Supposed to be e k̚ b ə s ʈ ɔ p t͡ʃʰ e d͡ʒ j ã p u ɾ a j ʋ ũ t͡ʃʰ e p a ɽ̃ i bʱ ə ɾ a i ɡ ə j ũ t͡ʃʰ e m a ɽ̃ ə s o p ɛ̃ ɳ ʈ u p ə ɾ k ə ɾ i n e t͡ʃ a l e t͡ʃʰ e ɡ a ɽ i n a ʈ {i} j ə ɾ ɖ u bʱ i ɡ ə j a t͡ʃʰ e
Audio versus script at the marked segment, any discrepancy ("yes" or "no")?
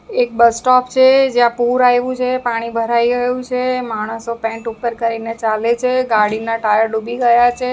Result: yes